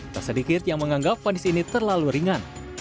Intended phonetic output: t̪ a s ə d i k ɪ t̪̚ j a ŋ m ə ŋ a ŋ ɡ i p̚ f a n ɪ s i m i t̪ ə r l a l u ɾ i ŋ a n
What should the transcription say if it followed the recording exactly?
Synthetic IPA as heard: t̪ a s ə d i k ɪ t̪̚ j a ŋ m ə ŋ a ŋ ɡ a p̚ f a n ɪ s i n i t̪ ə r l a l u ɾ i ŋ a n